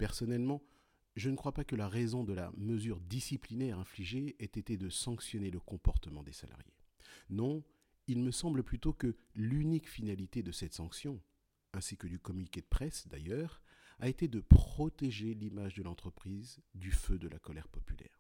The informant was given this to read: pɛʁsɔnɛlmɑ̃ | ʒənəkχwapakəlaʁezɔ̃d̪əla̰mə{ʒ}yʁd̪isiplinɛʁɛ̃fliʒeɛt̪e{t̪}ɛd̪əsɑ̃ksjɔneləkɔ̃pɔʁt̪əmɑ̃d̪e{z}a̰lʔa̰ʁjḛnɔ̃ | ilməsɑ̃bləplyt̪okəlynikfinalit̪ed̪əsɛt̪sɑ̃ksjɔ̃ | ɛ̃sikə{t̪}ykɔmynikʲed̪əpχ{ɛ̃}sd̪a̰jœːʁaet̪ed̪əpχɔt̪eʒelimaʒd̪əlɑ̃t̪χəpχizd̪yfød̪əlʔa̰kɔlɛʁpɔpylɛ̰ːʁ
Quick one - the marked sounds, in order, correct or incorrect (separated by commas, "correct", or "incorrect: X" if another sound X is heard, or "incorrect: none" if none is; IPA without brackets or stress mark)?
incorrect: z, correct, incorrect: s, incorrect: d̪, incorrect: ɛ